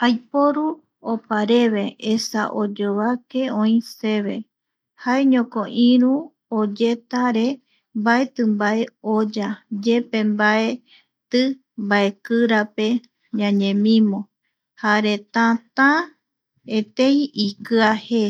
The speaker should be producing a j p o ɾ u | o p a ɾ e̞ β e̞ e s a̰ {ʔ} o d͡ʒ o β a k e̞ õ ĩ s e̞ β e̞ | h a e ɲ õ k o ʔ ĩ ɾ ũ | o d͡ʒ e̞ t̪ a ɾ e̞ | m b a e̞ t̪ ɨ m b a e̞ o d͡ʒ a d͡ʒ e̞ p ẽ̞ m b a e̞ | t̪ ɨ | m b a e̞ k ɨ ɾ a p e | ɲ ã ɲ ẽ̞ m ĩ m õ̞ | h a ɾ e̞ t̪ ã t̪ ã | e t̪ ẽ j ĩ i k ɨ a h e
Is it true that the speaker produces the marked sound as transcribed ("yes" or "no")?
yes